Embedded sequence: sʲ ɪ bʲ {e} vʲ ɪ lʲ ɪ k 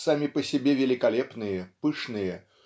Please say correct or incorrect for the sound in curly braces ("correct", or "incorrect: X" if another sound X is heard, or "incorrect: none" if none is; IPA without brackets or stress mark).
correct